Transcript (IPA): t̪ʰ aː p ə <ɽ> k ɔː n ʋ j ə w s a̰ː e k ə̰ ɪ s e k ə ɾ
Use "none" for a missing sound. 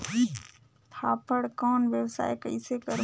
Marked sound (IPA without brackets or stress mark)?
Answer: ɽ